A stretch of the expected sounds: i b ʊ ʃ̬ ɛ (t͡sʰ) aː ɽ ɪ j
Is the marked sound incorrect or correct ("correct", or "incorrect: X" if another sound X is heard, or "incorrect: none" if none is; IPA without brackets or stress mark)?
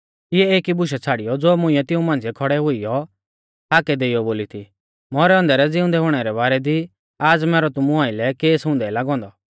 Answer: correct